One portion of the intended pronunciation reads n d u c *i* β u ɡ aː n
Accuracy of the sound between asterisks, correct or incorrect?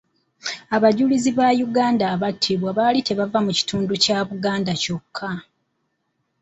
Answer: incorrect